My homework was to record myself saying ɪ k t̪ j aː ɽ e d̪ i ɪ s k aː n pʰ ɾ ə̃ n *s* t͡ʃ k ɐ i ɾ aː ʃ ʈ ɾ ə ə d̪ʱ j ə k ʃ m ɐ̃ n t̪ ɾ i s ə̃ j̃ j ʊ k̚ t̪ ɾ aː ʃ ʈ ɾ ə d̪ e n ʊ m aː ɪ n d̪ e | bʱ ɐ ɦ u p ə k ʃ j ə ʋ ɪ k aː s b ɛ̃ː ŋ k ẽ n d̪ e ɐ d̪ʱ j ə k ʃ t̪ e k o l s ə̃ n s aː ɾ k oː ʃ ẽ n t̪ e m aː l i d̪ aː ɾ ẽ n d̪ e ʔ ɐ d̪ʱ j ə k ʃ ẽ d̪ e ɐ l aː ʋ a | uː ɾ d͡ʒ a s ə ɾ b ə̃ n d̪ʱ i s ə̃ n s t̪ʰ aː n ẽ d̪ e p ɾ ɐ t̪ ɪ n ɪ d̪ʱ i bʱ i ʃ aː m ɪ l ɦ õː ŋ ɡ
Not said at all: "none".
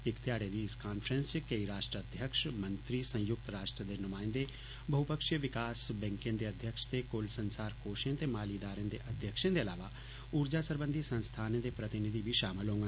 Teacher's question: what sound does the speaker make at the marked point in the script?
s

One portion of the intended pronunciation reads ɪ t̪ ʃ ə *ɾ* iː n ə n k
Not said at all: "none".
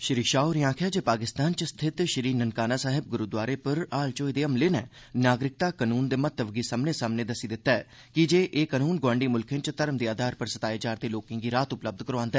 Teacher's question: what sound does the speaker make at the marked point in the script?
ɾ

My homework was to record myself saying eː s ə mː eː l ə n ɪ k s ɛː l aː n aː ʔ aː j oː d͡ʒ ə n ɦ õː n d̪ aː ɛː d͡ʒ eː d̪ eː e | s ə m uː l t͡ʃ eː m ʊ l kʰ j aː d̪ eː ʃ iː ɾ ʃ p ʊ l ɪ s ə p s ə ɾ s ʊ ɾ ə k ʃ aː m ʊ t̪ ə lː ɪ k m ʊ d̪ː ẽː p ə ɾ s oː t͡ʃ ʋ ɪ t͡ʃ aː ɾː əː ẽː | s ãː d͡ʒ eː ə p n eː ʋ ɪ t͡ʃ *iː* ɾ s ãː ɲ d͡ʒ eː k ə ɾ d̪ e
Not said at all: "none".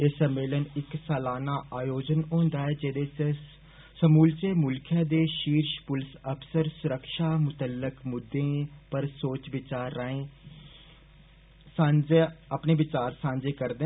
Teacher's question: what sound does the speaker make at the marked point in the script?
aː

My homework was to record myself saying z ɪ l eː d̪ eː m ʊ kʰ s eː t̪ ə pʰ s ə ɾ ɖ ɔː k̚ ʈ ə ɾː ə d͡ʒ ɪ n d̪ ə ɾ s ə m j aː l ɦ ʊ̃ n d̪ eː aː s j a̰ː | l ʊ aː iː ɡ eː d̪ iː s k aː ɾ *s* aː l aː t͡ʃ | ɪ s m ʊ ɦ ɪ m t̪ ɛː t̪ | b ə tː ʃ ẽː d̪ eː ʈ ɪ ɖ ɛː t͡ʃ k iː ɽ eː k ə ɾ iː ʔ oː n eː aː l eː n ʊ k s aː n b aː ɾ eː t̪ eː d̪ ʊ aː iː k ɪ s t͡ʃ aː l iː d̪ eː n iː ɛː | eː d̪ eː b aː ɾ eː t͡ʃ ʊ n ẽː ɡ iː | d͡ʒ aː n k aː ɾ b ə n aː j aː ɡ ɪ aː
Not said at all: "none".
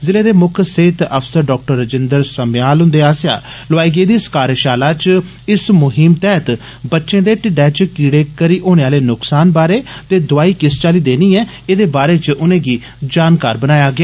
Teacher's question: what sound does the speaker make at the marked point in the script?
ʃ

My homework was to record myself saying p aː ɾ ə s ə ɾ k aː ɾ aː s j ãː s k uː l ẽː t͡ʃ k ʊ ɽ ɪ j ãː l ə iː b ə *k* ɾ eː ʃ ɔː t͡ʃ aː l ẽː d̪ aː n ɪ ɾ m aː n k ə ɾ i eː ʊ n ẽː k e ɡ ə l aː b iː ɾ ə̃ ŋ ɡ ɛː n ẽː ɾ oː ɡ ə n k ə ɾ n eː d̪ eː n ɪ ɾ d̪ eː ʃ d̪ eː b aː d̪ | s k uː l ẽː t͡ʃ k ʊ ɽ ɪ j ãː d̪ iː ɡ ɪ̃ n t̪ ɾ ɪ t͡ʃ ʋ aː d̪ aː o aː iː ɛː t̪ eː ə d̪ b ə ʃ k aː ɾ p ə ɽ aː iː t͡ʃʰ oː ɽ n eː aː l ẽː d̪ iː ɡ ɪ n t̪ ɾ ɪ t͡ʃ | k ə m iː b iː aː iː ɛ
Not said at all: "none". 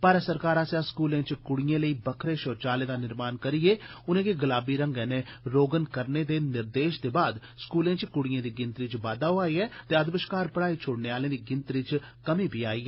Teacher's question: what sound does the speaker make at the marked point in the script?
kʰ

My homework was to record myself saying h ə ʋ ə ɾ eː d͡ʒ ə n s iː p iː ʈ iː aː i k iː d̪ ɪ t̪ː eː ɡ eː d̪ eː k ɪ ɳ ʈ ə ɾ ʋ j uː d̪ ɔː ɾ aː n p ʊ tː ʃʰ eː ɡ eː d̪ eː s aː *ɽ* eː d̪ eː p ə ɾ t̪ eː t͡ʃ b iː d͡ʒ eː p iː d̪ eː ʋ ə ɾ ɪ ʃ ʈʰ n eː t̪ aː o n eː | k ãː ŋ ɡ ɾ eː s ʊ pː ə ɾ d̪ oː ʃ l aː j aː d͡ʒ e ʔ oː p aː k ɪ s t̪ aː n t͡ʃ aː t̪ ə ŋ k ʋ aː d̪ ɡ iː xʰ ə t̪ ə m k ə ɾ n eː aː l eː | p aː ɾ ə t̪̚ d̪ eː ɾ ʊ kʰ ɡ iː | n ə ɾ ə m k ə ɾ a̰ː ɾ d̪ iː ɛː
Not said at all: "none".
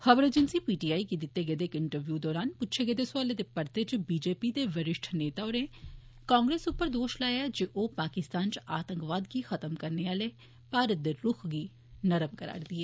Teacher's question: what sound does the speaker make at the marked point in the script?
l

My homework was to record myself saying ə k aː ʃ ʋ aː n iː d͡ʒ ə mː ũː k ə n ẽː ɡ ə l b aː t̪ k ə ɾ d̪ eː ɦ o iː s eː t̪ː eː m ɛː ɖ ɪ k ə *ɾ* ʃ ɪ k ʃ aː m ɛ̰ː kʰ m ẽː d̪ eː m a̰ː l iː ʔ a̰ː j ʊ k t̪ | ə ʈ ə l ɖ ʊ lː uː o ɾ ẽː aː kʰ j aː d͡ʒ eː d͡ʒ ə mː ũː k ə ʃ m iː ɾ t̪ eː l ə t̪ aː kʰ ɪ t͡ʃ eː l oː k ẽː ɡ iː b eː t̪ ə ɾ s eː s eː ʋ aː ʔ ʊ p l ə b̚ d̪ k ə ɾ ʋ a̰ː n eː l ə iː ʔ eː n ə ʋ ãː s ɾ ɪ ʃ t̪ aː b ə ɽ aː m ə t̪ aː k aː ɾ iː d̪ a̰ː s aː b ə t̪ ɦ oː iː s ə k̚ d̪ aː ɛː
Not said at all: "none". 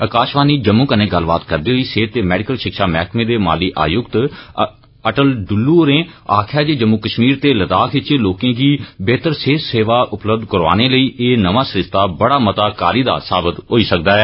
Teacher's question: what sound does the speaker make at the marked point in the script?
l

